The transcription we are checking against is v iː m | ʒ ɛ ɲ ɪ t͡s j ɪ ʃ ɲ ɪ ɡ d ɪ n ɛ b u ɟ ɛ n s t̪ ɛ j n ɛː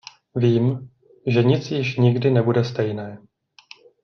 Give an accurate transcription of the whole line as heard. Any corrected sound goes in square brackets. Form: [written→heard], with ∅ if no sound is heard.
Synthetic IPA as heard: v iː m | ʒ ɛ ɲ ɪ t͡s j ɪ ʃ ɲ ɪ ɡ d ɪ n ɛ b u [ɟ→d] ɛ [n→∅] s t̪ ɛ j n ɛː